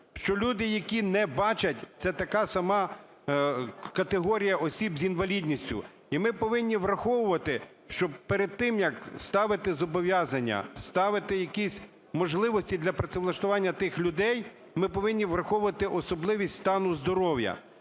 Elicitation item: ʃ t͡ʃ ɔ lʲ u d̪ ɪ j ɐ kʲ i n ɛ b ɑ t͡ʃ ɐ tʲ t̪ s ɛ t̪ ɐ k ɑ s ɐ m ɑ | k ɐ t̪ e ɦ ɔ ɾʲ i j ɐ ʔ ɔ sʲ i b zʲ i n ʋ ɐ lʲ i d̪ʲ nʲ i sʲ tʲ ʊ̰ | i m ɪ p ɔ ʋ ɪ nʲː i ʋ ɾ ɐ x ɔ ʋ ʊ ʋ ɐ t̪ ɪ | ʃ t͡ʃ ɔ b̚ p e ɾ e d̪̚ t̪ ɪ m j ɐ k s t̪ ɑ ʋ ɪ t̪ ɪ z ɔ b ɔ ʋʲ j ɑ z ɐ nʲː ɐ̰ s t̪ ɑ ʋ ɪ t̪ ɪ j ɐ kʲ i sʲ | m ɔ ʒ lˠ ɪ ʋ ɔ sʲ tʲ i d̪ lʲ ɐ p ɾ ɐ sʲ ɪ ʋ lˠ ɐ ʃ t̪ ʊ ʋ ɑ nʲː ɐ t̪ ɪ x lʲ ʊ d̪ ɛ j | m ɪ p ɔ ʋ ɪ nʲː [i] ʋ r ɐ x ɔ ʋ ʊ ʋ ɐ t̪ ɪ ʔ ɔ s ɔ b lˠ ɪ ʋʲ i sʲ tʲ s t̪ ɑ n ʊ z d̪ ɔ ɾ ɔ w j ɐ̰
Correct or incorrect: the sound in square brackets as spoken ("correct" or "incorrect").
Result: correct